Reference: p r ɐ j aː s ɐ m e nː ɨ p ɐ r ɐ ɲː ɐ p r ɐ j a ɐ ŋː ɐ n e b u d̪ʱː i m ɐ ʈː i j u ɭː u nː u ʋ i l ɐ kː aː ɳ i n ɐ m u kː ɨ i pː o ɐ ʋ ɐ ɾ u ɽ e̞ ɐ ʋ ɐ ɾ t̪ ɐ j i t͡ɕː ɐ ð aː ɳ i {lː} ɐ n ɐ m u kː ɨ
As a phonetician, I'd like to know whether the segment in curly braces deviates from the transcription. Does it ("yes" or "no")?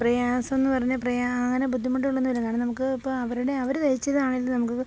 no